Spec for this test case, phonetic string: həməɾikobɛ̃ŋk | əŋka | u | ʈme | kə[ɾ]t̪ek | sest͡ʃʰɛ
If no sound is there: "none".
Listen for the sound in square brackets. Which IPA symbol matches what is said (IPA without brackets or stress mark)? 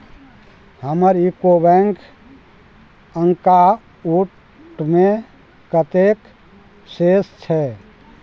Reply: none